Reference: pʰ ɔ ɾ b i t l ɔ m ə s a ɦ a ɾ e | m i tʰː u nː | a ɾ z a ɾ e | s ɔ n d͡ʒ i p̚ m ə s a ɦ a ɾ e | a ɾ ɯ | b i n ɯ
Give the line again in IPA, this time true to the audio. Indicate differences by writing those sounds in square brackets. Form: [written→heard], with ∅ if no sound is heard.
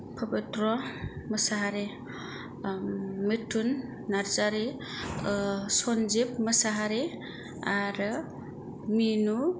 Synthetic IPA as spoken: pʰ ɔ [ɾ→∅] b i t [l→ɾ] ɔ m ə s a ɦ a ɾ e | m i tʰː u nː | a ɾ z a ɾ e | s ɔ n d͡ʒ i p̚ m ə s a ɦ a ɾ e | a ɾ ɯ | [b→m] i n [ɯ→u]